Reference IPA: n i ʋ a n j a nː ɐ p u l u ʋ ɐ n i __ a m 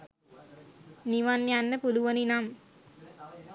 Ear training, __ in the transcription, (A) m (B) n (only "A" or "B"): B